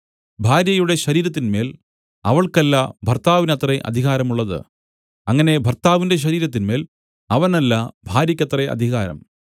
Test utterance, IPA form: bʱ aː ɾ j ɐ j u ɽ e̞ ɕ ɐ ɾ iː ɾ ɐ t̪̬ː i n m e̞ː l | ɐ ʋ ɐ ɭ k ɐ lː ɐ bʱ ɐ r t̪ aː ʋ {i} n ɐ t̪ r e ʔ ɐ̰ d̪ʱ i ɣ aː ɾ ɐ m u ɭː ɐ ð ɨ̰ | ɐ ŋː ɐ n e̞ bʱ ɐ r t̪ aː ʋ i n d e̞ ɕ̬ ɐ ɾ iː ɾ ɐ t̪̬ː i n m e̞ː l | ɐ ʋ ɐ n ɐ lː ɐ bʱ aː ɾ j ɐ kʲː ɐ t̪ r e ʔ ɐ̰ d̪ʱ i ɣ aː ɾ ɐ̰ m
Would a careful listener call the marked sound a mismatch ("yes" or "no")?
no